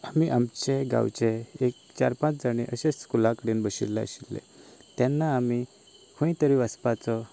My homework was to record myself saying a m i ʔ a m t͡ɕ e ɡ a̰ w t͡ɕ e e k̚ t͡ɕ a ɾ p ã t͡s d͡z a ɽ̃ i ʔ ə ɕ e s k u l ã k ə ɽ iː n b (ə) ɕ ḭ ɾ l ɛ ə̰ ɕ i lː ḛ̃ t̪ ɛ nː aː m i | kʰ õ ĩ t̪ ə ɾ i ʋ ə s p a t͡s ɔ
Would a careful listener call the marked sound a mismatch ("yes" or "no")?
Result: no